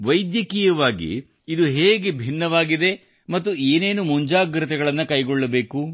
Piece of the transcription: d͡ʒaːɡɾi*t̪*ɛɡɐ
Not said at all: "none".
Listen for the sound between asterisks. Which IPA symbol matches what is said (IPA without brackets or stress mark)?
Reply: t̪